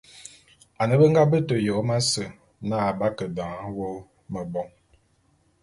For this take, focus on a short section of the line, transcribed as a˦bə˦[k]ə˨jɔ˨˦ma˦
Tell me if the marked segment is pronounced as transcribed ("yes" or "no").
no